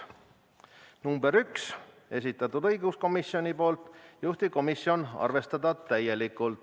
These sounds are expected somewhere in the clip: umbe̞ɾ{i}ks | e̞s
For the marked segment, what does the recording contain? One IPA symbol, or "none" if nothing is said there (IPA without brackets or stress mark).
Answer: y